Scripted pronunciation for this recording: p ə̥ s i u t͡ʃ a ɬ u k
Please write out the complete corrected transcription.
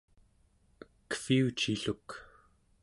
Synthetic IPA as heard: k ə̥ f i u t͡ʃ i ɬ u k